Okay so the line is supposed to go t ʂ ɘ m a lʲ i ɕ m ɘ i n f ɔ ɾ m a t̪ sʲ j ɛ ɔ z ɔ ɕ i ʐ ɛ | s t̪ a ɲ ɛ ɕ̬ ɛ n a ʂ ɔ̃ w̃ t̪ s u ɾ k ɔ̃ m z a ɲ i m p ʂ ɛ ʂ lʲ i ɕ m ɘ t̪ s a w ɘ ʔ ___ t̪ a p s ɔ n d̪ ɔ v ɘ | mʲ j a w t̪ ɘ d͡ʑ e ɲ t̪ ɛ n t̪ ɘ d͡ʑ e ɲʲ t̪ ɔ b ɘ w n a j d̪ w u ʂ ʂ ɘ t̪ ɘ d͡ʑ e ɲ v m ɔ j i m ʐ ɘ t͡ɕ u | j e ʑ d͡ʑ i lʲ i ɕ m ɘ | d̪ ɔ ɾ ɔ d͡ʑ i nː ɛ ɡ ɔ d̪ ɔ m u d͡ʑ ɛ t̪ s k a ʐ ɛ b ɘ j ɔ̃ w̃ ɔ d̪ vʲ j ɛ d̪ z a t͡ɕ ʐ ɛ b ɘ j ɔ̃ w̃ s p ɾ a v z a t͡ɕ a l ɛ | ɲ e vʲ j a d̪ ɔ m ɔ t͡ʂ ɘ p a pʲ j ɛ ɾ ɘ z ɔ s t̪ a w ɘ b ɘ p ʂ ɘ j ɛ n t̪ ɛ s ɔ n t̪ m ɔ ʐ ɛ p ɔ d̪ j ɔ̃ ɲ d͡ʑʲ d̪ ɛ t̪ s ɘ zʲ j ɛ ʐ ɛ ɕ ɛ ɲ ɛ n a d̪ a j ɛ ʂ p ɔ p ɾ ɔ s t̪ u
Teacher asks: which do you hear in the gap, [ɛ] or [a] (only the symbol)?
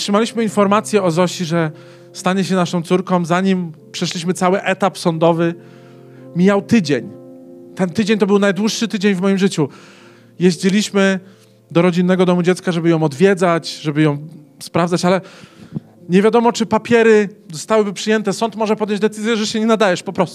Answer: ɛ